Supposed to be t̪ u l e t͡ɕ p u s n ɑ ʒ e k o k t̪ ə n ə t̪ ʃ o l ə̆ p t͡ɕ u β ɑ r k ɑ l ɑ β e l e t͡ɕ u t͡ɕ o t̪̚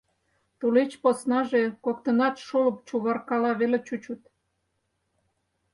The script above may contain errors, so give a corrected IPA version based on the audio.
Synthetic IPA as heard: t̪ u l e t͡ɕ p o s n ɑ ʒ e k o k t̪ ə n ɑ t̪ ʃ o l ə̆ p t͡ɕ u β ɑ r k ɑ l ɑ β e l e t͡ɕ u t͡ɕ u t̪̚